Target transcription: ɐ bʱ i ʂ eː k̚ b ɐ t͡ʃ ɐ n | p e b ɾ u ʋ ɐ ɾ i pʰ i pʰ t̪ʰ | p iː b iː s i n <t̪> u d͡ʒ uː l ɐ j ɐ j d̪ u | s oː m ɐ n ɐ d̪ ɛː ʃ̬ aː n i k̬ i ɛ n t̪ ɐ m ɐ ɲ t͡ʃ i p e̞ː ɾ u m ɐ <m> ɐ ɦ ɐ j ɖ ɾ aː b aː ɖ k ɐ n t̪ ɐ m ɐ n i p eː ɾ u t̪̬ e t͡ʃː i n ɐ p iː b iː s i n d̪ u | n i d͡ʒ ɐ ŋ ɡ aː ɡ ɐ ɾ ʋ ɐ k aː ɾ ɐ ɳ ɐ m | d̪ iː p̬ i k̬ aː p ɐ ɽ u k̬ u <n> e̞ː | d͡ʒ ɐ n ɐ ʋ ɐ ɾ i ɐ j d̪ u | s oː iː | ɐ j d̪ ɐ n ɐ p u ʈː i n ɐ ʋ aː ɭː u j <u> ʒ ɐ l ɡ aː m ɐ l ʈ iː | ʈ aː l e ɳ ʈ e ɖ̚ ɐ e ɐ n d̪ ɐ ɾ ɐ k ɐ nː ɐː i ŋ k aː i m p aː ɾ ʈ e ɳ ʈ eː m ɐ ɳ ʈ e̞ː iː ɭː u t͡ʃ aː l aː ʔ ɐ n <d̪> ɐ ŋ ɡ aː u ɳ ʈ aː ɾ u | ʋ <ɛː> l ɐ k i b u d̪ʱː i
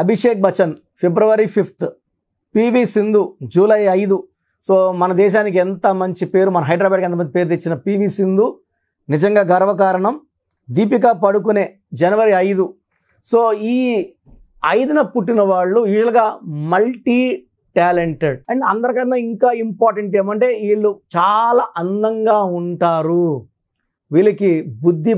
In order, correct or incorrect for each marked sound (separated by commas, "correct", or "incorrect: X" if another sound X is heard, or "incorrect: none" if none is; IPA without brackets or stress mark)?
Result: incorrect: d̪, incorrect: n, correct, incorrect: uː, correct, incorrect: iː